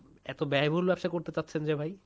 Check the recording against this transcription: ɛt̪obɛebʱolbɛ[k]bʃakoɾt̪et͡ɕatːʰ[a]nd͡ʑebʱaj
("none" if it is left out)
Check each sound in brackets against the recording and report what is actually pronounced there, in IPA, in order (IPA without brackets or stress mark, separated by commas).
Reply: none, e